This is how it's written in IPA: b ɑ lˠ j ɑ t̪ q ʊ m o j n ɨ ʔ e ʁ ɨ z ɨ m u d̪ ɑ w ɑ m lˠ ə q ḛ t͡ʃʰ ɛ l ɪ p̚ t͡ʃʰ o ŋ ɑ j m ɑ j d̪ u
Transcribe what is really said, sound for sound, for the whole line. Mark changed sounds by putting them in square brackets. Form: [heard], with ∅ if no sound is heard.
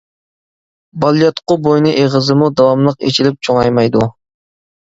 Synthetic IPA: b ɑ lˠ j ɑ t̪ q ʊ [b] o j n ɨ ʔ e ʁ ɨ z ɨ m u d̪ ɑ w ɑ m lˠ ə q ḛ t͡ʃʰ [i] l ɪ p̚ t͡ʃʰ o ŋ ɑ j m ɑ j d̪ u

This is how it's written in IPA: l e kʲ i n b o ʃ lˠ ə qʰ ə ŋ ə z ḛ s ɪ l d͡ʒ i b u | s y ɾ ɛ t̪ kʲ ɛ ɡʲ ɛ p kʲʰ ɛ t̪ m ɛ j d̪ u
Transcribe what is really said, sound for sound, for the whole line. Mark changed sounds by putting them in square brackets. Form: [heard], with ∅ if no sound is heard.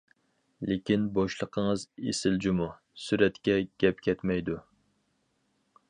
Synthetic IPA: l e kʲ i n b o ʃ lˠ ə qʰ ə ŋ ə z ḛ s ɪ l d͡ʒ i [m] u | s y ɾ ɛ t̪ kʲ ɛ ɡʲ ɛ p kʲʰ ɛ t̪ m ɛ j d̪ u

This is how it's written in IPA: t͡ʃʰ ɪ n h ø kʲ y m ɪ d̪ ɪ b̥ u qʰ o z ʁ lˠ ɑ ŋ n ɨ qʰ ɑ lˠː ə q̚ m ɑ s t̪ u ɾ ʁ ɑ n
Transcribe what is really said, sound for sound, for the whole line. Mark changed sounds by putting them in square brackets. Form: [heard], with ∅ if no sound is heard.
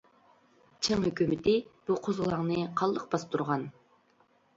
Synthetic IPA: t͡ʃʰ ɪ [ŋ] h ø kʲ y m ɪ [t̪] ɪ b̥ u qʰ o z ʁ lˠ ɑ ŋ n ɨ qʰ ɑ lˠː ə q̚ [b] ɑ s t̪ u ɾ ʁ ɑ n

